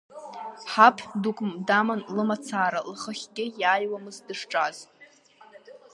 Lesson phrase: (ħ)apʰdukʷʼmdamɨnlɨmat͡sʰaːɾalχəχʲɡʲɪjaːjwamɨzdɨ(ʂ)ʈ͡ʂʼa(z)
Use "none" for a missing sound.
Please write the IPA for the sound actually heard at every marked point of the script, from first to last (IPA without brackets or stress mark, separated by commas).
ħ, ʂ, z